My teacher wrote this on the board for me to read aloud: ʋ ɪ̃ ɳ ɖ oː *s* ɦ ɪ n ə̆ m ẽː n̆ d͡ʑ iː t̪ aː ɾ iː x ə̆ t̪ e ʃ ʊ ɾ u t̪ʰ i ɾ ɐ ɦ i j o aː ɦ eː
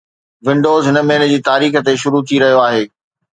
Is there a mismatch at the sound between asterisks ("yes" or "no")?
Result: yes